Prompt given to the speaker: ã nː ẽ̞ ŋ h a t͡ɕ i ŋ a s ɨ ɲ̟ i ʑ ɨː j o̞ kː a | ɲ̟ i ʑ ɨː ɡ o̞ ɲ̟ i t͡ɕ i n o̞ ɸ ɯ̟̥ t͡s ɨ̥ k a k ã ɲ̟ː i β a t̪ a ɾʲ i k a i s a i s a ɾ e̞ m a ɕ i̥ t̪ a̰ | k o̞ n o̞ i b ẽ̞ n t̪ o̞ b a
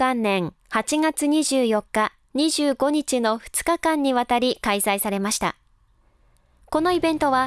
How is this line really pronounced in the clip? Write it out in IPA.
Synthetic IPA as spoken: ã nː ẽ̞ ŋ h a t͡ɕ i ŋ a t͡s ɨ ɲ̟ i ʑ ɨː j o̞ kː a | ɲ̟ i ʑ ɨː ɡ o̞ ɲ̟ i t͡ɕ i n o̞ ɸ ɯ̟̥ t͡s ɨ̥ k a k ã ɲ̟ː i β a t̪ a ɾʲ i k a i s a i s a ɾ e̞ m a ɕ i̥ t̪ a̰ | k o̞ n o̞ i b ẽ̞ n t̪ o̞ β a

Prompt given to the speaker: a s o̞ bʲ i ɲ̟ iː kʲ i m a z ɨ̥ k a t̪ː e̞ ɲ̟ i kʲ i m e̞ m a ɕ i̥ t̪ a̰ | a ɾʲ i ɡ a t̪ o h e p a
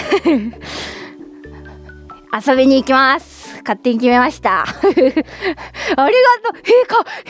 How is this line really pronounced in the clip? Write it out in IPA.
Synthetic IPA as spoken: a s o̞ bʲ i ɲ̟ iː kʲ i m a s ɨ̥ k a t̪ː e̞ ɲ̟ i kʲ i m e̞ m a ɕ i̥ t̪ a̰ | a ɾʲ i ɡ a t̪ o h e k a

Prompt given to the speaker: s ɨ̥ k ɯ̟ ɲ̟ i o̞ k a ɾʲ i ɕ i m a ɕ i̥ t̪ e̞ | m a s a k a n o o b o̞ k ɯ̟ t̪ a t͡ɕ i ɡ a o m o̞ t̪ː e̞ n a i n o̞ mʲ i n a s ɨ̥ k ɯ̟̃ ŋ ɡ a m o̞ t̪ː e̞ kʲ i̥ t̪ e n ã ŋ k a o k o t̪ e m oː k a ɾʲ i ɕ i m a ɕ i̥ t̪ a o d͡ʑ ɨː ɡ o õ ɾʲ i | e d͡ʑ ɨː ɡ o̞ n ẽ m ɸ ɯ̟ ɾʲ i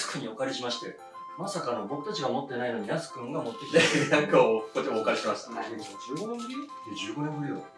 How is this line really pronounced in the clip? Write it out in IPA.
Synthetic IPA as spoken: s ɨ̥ k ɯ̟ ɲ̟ i o̞ k a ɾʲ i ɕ i m a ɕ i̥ t̪ e̞ | m a s a k a n o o b o̞ k ɯ̟ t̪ a t͡ɕ i ɡ a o m o̞ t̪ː e̞ n a i n o̞ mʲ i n a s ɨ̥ k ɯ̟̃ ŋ ɡ a m o̞ t̪ː e̞ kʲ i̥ t̪ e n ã ŋ k a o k o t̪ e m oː k a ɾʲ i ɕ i m a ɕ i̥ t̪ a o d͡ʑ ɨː ɡ o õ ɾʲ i | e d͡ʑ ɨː ɡ o̞ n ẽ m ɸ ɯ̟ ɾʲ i

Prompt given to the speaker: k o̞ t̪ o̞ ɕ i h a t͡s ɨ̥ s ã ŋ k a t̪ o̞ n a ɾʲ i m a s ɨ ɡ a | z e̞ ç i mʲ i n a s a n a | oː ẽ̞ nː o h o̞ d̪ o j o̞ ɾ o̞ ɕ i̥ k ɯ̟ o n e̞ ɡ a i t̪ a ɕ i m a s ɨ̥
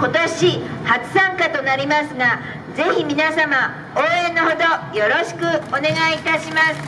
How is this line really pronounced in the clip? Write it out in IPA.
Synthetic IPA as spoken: k o̞ t̪ o̞ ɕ i h a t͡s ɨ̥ s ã ŋ k a t̪ o̞ n a ɾʲ i m a s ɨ ɡ a | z e̞ ç i mʲ i n a s a m a | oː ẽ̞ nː o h o̞ d̪ o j o̞ ɾ o̞ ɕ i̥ k ɯ̟ o n e̞ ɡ a i t̪ a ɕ i m a s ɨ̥

